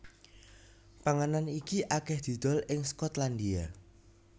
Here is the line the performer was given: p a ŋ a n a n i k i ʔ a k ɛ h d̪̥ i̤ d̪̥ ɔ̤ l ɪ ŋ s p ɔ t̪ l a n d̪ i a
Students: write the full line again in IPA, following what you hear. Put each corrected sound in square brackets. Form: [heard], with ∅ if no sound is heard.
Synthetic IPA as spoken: p a ŋ a n a n i k i ʔ a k ɛ h d̪̥ i̤ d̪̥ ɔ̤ l ɪ ŋ s [k] ɔ t̪ l a n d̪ i a